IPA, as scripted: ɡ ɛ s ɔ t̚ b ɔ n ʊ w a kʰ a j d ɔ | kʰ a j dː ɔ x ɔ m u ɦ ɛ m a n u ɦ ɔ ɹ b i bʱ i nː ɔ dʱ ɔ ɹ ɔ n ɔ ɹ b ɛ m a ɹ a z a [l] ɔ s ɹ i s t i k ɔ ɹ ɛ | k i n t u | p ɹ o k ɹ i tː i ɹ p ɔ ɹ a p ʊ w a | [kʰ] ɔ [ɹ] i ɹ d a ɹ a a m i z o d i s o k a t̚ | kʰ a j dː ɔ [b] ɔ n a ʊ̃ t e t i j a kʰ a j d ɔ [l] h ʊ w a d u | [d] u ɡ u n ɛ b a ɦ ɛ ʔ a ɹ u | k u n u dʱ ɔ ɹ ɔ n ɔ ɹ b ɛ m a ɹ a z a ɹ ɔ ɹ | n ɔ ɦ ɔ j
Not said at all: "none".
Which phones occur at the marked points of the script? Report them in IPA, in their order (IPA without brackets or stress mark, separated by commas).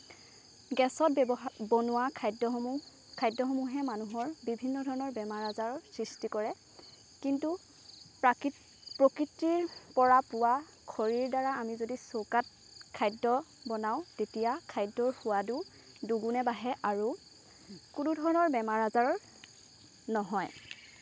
ɹ, kʰ, ɹ, b, ɹ, d